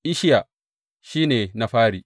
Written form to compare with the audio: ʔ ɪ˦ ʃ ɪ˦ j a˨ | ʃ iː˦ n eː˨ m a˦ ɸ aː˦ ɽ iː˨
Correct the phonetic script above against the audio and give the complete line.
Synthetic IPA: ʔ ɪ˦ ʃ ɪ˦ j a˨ | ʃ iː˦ n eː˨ n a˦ ɸ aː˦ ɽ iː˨